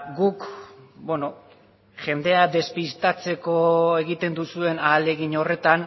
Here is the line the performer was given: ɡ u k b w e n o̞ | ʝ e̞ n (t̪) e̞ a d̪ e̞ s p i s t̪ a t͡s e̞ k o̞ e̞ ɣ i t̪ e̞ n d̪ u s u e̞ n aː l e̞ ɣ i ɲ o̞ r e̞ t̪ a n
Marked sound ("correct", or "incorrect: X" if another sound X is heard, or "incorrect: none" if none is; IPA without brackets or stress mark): incorrect: d̪